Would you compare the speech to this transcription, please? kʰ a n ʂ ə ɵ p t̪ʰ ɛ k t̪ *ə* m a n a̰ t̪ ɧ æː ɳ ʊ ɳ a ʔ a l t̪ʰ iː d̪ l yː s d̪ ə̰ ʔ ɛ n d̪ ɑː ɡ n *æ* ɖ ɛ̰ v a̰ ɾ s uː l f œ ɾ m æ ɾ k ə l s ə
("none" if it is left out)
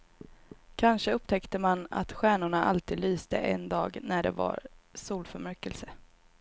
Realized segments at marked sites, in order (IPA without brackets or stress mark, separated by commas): ə, æ